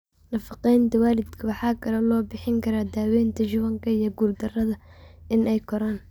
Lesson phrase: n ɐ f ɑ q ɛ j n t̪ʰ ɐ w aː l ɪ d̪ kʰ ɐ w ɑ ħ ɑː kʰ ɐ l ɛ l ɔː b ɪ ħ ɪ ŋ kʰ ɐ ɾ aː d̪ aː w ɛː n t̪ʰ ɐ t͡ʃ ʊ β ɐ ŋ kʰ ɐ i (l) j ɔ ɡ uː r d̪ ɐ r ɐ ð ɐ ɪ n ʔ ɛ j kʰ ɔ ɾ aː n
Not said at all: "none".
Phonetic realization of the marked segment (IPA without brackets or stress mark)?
none